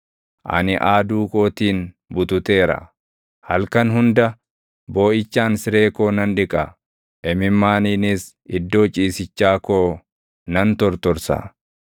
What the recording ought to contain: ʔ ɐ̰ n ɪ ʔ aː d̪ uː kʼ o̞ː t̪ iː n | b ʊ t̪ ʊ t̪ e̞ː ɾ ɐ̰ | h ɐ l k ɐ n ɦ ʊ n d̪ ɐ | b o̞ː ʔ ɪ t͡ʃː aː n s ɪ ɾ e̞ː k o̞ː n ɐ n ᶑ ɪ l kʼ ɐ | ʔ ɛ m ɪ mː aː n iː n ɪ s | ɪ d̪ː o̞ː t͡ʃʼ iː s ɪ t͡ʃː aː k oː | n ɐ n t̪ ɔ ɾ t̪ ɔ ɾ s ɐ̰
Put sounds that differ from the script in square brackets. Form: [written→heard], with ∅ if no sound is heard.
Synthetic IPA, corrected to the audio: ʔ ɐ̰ n ɪ ʔ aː d̪ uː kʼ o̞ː t̪ iː n | b ʊ t̪ ʊ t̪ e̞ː ɾ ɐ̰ | h ɐ l k ɐ n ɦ ʊ n d̪ ɐ | b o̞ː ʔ ɪ t͡ʃː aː n s ɪ ɾ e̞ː k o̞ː n ɐ n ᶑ ɪ [l→∅] kʼ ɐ | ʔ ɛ m ɪ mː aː n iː n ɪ s | ɪ d̪ː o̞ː t͡ʃʼ iː s ɪ t͡ʃː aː k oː | n ɐ n t̪ ɔ ɾ t̪ ɔ ɾ s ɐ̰